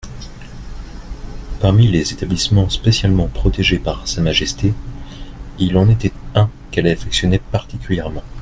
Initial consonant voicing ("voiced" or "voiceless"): voiceless